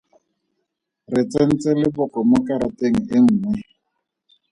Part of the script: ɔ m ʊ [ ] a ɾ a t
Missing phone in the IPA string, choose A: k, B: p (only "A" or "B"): A